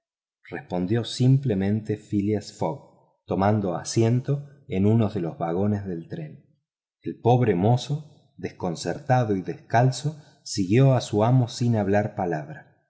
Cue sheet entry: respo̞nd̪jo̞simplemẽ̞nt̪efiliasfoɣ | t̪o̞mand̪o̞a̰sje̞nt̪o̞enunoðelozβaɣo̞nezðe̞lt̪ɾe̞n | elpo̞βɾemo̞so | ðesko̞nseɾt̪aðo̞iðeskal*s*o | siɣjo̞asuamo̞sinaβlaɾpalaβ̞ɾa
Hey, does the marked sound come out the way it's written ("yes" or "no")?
yes